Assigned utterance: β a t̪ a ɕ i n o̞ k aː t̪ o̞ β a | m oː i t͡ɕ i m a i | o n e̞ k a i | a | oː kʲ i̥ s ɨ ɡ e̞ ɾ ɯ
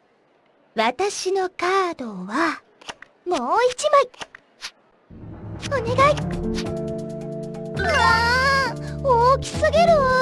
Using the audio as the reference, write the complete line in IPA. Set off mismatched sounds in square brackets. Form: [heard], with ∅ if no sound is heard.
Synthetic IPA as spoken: β a t̪ a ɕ i n o̞ k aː [d̪] o̞ β a | m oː i t͡ɕ i m a i | o n e̞ [ɡ] a i | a | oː kʲ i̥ s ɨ ɡ e̞ ɾ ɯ